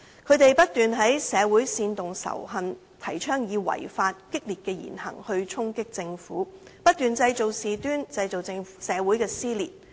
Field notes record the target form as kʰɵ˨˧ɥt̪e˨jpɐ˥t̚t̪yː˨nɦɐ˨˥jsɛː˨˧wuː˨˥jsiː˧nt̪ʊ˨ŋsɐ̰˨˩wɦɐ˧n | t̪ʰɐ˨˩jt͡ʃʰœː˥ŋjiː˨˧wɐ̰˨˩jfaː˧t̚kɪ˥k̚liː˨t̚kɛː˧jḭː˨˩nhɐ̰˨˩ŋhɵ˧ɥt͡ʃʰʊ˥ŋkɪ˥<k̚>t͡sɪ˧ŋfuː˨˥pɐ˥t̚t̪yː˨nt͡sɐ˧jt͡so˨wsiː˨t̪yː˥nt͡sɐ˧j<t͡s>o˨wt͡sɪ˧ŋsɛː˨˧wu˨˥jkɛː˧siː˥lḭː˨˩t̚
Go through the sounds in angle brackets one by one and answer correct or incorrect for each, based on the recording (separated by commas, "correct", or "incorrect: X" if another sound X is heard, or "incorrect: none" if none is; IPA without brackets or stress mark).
correct, correct